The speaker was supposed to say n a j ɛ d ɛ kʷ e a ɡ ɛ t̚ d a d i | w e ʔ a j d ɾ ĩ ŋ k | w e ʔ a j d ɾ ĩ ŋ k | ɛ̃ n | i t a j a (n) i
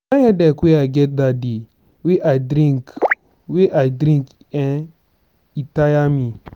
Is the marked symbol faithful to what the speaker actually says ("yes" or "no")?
no